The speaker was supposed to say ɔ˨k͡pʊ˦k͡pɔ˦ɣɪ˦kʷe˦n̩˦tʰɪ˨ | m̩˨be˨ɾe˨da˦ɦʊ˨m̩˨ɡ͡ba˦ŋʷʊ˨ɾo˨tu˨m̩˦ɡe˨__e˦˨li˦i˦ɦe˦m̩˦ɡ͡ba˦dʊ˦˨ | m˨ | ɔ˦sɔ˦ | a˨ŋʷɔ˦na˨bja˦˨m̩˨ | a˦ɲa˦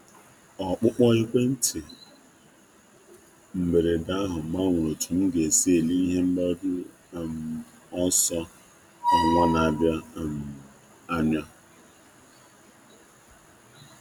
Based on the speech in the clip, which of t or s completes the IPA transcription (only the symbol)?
s